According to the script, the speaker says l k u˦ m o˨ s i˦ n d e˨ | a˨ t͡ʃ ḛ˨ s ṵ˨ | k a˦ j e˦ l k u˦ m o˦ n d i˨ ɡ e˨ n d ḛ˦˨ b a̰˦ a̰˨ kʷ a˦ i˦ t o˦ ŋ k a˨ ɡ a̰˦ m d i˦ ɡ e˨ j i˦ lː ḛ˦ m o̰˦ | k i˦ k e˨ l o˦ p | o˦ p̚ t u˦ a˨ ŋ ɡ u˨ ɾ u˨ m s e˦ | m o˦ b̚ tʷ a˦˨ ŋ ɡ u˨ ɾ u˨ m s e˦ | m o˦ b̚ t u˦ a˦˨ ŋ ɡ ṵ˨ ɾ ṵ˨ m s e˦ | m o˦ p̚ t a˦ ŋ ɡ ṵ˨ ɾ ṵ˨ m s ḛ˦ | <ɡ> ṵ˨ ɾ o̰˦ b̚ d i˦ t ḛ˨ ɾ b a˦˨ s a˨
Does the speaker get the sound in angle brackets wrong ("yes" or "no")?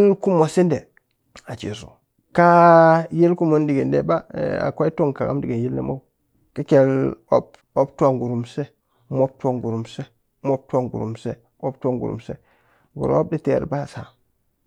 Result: no